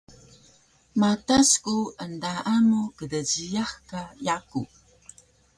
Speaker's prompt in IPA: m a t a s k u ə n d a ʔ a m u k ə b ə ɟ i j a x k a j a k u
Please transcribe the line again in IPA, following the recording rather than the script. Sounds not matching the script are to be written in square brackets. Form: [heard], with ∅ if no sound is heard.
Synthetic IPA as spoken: m a t a s k u ə n d a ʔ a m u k ə [d] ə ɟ i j a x k a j a k u